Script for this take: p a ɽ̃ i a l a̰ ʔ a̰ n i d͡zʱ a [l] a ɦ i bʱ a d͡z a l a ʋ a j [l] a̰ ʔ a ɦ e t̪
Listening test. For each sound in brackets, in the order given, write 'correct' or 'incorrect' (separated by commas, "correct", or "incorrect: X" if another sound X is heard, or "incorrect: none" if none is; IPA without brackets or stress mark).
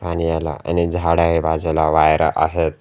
incorrect: ɽ, incorrect: ɾ